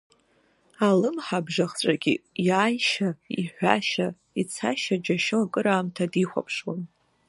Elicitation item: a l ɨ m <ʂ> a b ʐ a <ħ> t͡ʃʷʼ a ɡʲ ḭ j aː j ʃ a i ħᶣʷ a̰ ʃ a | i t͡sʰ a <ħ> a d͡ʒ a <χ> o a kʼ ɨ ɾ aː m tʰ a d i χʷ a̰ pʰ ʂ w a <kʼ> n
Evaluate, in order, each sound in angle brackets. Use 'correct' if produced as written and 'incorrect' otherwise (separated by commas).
incorrect, incorrect, incorrect, incorrect, incorrect